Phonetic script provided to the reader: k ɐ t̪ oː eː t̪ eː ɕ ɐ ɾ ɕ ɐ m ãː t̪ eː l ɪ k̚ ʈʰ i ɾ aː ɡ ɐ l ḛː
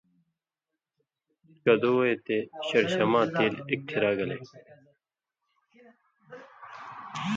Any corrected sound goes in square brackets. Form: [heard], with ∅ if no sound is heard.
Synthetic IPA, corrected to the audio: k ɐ [d̪] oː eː t̪ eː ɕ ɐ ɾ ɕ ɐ m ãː t̪ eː l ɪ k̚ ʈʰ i ɾ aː ɡ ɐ l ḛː